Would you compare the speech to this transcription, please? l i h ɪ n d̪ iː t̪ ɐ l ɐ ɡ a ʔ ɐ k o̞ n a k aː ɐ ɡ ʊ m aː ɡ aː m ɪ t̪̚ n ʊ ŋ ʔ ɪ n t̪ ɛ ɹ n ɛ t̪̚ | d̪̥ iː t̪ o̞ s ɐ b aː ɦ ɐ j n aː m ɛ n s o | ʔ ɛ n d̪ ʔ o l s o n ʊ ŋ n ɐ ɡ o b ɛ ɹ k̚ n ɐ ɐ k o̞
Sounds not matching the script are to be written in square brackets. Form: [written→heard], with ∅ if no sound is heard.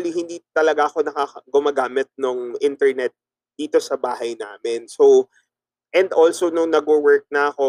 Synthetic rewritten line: l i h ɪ n d̪ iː t̪ ɐ l ɐ ɡ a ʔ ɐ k o̞ n [a→ɐ] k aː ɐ ɡ ʊ m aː ɡ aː m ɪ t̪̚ n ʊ ŋ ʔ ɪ n t̪ ɛ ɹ n ɛ t̪̚ | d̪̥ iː t̪ o̞ s ɐ b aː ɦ ɐ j n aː m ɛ n s o | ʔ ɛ n d̪ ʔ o l s o n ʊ ŋ n ɐ ɡ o [b→w] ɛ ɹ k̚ n ɐ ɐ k o̞